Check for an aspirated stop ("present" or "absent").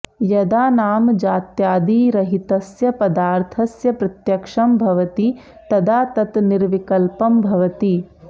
present